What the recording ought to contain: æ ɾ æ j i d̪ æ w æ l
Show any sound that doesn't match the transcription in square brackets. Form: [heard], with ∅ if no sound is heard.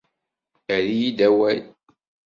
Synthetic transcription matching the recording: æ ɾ [i] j i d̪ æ w æ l